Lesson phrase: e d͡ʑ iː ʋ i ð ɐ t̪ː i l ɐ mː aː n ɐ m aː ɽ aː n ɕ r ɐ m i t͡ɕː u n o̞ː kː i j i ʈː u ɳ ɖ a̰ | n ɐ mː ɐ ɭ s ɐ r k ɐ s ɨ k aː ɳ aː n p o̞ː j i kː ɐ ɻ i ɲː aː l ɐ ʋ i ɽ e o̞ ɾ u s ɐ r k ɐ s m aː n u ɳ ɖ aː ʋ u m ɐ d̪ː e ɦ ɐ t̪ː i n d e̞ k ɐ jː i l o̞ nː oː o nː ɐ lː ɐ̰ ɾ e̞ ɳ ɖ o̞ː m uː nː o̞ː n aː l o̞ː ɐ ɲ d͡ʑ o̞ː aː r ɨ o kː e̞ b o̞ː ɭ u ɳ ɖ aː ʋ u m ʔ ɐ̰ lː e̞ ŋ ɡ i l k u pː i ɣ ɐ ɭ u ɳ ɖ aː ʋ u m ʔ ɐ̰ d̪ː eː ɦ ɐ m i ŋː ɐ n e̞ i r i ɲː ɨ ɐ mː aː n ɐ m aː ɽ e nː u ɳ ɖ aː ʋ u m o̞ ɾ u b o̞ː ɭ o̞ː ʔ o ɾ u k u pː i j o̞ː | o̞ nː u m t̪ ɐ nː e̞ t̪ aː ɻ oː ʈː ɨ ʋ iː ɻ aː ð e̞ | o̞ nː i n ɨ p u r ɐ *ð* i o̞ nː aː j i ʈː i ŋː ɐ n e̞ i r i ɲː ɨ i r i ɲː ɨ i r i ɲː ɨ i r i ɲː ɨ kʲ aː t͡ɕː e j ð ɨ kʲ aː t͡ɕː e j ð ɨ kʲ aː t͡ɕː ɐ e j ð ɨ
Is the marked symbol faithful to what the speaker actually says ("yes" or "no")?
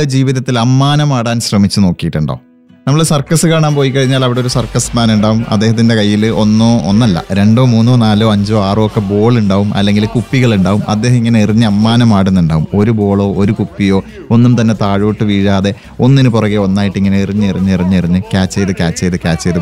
no